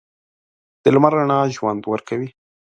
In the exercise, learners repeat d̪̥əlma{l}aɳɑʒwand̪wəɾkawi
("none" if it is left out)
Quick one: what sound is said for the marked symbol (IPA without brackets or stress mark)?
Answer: ɾ